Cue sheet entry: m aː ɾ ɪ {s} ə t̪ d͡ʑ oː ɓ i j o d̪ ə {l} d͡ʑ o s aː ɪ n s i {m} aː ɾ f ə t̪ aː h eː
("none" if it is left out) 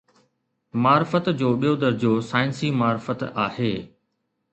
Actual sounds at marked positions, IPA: f, ɾ, m

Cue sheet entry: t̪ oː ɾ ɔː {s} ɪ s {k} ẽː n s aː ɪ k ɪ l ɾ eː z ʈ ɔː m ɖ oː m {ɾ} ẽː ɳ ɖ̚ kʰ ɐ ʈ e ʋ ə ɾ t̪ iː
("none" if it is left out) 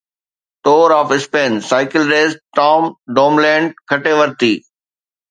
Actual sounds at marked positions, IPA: f, p, l

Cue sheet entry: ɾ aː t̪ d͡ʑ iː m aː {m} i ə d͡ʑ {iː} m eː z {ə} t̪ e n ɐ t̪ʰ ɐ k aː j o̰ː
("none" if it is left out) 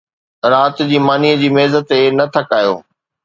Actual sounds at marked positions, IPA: n, iː, ə

